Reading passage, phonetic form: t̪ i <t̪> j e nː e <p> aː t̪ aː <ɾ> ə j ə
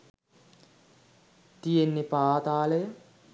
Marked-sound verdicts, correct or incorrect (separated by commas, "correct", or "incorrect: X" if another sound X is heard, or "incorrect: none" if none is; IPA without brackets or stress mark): incorrect: none, correct, incorrect: l